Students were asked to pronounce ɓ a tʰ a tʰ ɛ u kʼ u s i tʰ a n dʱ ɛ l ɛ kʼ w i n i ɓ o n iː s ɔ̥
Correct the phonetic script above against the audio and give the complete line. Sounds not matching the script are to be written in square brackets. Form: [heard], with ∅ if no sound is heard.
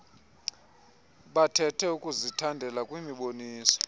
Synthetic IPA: ɓ a tʰ [ɛ] tʰ ɛ u kʼ u [z] i tʰ a n dʱ ɛ l [a] kʼ w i [m] i ɓ o n iː s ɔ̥